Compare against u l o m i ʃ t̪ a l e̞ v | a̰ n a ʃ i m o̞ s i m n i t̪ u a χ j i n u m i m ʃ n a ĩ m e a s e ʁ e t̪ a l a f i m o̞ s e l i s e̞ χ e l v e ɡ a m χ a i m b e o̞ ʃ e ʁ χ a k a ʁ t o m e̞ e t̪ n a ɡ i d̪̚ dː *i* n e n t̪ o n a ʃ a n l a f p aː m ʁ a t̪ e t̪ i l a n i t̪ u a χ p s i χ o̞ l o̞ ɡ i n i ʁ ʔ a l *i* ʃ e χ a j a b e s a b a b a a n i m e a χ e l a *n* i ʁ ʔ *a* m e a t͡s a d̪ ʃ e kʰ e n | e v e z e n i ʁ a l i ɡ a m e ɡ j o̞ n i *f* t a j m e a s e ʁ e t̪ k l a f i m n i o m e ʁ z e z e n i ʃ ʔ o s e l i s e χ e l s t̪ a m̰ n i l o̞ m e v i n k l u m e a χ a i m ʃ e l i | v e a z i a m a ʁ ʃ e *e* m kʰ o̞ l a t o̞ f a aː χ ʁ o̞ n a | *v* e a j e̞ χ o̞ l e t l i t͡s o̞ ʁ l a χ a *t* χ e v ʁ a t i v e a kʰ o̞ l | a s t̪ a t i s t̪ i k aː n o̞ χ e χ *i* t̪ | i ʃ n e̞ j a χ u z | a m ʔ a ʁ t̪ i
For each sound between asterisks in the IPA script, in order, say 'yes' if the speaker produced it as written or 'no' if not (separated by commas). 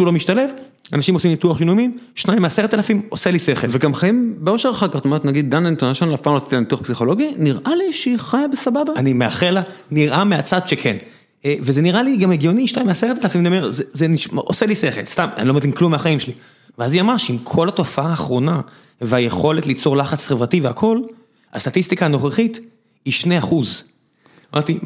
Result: no, yes, yes, yes, no, no, yes, no, yes